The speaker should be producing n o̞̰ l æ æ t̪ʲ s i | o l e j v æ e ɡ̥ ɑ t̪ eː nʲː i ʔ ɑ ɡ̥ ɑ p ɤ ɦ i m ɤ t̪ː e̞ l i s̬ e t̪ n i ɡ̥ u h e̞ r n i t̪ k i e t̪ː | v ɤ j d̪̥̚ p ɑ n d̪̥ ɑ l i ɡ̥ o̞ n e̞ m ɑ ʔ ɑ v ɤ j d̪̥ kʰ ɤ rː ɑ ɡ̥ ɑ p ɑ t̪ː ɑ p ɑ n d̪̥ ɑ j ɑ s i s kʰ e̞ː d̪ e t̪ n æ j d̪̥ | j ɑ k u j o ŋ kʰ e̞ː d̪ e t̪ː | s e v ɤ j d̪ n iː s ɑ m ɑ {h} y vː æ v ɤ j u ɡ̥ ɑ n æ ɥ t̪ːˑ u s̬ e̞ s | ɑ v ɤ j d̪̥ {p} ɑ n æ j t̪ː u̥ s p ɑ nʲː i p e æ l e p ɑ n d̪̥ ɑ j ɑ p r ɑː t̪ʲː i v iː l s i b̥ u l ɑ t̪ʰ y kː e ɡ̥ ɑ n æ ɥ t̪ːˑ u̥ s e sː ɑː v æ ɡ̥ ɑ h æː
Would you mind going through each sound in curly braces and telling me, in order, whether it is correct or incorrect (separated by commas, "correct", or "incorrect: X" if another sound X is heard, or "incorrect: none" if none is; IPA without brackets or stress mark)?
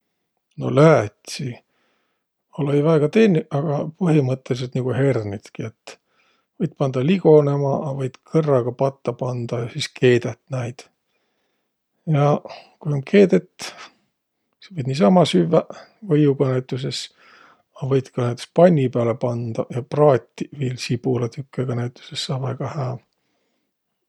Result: incorrect: s, incorrect: k